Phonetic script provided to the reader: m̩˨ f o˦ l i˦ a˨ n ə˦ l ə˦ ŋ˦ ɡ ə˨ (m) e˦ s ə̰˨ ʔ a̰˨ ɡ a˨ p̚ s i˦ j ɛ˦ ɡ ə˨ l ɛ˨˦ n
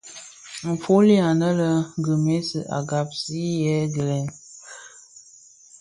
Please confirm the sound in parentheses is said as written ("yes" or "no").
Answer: yes